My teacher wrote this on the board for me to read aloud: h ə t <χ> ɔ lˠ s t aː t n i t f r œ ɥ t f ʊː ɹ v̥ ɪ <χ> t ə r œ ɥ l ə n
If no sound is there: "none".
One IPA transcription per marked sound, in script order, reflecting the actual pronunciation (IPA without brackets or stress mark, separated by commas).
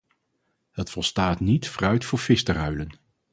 f, s